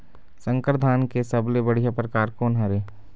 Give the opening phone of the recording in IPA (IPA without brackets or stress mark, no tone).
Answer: s